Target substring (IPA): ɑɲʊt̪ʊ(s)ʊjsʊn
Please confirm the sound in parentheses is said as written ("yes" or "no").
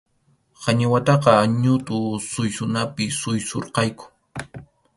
yes